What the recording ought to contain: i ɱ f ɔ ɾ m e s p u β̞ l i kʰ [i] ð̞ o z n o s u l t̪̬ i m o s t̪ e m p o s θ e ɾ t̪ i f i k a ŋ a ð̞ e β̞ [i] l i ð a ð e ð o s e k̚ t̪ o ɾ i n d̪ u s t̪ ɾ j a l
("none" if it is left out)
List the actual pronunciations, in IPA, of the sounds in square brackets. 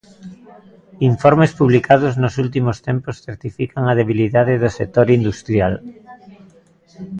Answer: a, i

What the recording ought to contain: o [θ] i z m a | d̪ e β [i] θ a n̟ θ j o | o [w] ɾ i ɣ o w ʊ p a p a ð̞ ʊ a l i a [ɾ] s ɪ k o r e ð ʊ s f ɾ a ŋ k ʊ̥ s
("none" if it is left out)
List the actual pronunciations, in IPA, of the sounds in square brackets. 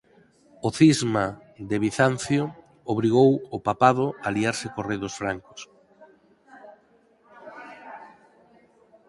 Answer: θ, i, β, ɾ

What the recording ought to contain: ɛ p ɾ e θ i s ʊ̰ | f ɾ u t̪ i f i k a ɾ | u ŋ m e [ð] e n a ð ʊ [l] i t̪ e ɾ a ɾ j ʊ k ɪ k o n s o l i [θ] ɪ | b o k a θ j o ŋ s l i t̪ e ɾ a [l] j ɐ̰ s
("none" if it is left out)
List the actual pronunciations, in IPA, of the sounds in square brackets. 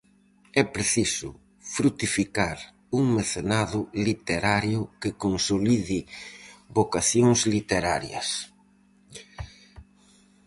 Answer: θ, l, ð, ɾ

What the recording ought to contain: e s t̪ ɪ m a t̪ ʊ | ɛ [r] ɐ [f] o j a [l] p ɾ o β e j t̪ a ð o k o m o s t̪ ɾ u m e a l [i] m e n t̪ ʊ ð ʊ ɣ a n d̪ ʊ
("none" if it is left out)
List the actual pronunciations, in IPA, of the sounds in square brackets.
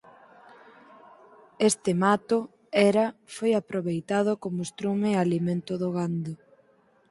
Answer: ɾ, f, none, i

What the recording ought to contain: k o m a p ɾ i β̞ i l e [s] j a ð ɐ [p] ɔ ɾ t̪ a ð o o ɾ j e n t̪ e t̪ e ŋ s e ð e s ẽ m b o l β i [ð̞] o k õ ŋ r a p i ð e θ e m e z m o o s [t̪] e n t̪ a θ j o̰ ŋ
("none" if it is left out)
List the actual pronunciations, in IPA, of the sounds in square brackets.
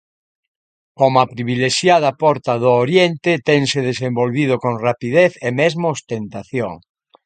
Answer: ʃ, p, ð̞, t̪

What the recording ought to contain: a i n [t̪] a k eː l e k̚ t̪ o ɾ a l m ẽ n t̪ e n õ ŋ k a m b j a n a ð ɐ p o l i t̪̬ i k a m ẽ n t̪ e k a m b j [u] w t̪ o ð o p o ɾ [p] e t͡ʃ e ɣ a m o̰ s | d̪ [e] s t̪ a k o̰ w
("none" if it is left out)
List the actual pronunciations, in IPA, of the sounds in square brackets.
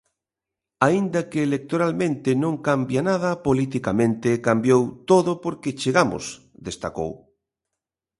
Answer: d̪, o, k, e

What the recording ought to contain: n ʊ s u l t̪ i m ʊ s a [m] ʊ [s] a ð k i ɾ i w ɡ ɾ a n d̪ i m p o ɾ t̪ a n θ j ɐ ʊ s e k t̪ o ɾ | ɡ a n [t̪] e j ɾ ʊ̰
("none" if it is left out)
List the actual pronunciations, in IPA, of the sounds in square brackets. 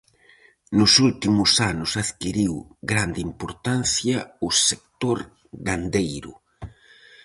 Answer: n, s, d̪

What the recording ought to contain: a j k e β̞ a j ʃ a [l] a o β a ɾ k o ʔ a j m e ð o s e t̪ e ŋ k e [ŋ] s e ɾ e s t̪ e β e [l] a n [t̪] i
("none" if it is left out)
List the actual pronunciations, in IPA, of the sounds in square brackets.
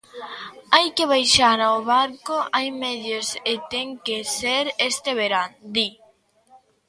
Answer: ɾ, none, ɾ, d̪

